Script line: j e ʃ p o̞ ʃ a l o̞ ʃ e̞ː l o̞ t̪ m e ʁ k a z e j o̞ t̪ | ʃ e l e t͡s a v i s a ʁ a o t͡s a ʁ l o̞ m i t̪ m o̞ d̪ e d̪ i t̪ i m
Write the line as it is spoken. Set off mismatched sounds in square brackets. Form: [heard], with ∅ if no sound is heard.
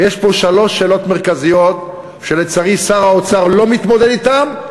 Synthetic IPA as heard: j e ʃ p o̞ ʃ a l o̞ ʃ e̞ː l o̞ t̪ m e ʁ k a z [i] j o̞ t̪ | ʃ e l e t͡s a [ʁ] i s a ʁ a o t͡s a ʁ l o̞ m i t̪ m o̞ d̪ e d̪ i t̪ [a] m